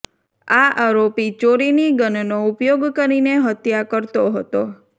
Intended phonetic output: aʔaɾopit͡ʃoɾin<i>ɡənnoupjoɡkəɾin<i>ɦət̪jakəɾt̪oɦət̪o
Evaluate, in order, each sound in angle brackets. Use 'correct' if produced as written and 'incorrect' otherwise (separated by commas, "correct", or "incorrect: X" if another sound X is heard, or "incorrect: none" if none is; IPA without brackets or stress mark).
correct, incorrect: e